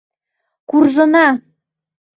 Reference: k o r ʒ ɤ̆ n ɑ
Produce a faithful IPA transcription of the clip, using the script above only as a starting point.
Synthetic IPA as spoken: k u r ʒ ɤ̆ n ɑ

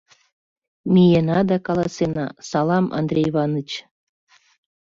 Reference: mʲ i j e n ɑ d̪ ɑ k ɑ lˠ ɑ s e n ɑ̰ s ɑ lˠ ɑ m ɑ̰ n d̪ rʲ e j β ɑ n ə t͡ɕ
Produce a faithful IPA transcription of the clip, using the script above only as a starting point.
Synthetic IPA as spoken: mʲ i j e n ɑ d̪ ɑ k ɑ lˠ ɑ s e n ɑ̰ s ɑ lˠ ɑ m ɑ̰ n d̪ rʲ e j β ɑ n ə t͡ɕ

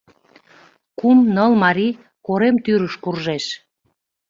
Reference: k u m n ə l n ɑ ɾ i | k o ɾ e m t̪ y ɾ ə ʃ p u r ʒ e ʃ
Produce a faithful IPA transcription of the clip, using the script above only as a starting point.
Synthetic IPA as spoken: k u m n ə l m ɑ ɾ i | k o ɾ e m t̪ y ɾ ə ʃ k u r ʒ e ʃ

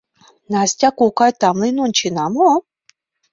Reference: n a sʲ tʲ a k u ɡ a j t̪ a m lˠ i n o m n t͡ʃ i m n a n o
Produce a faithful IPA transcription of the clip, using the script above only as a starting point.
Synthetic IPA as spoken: n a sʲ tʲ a k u k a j t̪ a m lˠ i n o n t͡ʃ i n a m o

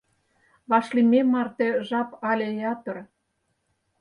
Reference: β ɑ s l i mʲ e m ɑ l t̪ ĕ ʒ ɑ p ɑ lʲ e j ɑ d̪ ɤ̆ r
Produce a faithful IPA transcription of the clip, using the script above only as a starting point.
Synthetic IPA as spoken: β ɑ ʃ l i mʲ e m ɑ r t̪ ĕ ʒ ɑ p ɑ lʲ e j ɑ t̪ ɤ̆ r

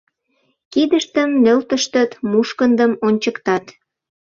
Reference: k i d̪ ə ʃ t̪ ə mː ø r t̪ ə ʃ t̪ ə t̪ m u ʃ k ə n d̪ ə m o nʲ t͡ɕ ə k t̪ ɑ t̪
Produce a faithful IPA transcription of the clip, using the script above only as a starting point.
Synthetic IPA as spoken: k i d̪ ə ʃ t̪ ə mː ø l t̪ ə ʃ t̪ ə t̪ m u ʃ k ə n d̪ ə m o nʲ t͡ɕ ə k t̪ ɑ t̪

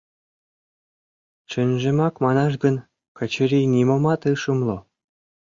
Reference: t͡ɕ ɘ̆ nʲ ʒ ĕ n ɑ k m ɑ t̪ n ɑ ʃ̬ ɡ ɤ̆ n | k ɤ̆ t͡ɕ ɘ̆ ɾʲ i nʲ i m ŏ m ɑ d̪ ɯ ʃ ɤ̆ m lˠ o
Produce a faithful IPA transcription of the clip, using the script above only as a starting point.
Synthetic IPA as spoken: t͡ɕ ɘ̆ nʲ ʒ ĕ m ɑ k m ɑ n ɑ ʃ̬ ɡ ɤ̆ n | k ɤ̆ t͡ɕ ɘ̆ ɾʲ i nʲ i m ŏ m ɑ t̪ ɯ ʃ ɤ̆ m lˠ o

